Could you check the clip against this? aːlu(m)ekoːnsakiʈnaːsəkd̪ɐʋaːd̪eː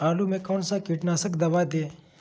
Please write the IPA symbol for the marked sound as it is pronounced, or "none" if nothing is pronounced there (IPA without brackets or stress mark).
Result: m